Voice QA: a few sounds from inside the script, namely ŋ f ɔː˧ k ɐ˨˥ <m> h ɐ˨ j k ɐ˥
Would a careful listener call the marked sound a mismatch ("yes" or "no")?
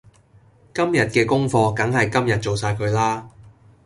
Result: yes